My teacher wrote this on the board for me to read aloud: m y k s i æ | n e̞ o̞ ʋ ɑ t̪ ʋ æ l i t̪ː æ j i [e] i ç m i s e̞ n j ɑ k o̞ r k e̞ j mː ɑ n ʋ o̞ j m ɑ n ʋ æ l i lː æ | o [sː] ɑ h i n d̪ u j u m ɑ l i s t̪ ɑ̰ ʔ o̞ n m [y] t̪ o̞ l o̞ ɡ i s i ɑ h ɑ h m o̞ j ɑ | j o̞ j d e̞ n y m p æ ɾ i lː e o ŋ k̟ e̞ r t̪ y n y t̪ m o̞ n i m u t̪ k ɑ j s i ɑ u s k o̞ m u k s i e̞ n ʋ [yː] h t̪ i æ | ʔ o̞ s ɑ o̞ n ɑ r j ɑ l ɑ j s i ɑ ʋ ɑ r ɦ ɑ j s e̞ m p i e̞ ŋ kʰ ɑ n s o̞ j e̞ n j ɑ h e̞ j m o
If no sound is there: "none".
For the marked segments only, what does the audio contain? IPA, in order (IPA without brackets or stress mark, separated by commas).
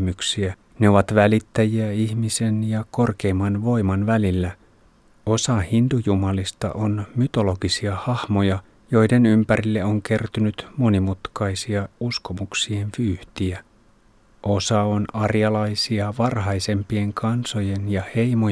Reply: æ, s, y, yː